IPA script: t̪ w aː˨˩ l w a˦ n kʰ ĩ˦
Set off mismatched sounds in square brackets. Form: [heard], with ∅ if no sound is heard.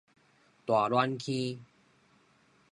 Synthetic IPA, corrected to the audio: t̪ w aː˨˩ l w a˦ n kʰ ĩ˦